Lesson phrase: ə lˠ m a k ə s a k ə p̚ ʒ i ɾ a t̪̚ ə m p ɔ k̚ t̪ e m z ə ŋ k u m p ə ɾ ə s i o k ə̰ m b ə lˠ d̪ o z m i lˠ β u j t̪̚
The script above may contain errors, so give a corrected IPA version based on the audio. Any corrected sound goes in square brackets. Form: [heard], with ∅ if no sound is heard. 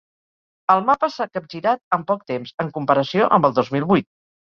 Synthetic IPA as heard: ə lˠ m a [p] ə s a k ə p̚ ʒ i ɾ a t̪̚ ə m p ɔ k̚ t̪ e m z ə ŋ k u m p ə ɾ ə s i o [ʔ] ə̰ m b ə lˠ d̪ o z m i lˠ β u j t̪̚